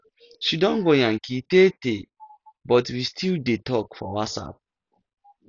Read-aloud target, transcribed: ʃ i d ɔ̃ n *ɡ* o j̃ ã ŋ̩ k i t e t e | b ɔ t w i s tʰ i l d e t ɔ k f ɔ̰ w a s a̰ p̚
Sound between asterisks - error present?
no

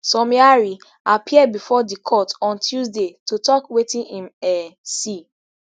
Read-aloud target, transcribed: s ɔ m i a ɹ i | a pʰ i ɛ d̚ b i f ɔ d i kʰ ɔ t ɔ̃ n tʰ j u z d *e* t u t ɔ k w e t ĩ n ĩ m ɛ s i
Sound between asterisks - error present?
no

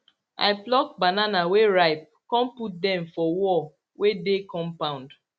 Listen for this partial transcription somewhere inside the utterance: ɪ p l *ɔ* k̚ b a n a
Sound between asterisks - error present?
no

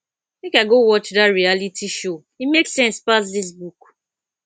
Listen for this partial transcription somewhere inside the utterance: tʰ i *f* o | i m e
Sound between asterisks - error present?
yes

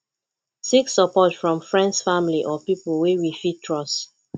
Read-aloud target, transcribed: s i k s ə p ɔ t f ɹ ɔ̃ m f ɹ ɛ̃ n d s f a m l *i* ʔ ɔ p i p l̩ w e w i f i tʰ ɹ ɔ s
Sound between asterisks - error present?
no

